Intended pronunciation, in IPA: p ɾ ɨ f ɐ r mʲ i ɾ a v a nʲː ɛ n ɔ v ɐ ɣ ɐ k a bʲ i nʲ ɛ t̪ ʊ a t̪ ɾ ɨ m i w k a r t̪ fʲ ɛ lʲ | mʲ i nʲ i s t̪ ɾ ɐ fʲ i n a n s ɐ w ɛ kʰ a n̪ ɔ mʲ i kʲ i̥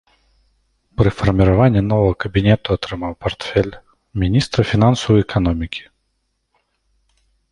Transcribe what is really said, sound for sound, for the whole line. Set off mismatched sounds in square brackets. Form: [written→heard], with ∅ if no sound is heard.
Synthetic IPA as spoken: p ɾ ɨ f ɐ r mʲ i ɾ a v a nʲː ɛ n ɔ v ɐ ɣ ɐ k [a→ɐ] bʲ i nʲ ɛ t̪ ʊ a t̪ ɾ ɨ m [i→a] w [k→p] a r t̪ fʲ ɛ lʲ | mʲ i nʲ i s t̪ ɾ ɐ fʲ i n a n s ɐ w ɛ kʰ a n̪ ɔ mʲ i kʲ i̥